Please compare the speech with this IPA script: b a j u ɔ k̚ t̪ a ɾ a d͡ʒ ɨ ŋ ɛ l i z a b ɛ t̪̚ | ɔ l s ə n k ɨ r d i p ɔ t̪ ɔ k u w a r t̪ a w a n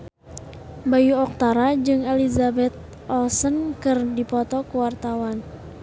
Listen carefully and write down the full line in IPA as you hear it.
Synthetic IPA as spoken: b a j u ɔ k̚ t̪ a ɾ a d͡ʒ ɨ ŋ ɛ l i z a b ɛ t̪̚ | ɔ l s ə n k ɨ r d i p ɔ t̪ ɔ k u w a r t̪ a w a n